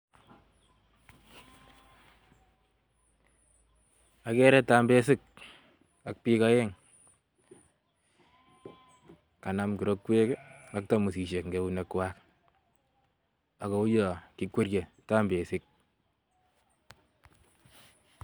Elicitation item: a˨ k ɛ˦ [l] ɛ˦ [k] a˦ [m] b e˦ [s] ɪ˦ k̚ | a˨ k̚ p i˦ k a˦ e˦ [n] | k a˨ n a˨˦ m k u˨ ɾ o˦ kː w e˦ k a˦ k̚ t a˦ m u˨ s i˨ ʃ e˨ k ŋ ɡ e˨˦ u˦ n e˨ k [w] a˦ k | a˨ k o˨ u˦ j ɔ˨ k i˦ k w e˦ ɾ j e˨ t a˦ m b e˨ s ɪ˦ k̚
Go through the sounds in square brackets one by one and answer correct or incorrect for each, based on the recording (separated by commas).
incorrect, incorrect, correct, correct, incorrect, correct